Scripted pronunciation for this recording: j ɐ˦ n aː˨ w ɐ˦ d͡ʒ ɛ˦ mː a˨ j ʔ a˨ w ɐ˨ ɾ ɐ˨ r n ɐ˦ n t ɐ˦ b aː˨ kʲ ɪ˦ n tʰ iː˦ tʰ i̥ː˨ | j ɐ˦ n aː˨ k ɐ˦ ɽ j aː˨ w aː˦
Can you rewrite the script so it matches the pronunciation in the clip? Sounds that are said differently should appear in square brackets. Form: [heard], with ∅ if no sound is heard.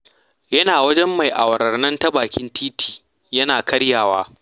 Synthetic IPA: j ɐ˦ n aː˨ w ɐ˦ d͡ʒ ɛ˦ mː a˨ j ʔ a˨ w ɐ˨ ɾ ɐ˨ r n ɐ˦ n t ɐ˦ b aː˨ kʲ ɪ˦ n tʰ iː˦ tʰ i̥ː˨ | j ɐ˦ n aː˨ k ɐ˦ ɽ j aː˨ w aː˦